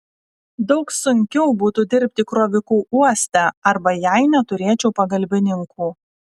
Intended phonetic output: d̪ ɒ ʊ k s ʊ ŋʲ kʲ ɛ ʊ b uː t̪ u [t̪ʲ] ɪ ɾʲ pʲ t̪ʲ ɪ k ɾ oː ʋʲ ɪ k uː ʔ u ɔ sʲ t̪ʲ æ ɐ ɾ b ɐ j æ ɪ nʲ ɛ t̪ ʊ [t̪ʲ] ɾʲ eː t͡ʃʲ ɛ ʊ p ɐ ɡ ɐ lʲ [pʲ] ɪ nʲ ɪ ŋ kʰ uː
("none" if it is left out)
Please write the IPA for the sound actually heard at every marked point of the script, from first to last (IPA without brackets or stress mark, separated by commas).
d̪ʲ, none, bʲ